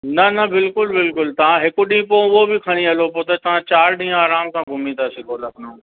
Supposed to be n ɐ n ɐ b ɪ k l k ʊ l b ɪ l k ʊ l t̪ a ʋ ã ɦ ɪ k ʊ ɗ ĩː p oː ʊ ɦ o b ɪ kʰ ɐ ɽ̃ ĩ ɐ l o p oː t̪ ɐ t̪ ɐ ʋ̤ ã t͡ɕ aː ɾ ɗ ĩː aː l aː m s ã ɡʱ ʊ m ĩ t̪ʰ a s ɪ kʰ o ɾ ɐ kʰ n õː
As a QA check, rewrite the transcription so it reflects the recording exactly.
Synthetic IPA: n ɐ n ɐ b ɪ l k ʊ l b ɪ l k ʊ l t̪ ɐ ʋ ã ɦ ɪ k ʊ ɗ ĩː p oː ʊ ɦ o b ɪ kʰ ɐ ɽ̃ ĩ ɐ l o p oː t̪ ɐ t̪ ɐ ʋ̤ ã t͡ɕ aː ɾ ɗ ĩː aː ɾ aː m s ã ɡʱ ʊ m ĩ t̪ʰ a s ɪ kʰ o l ɐ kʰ n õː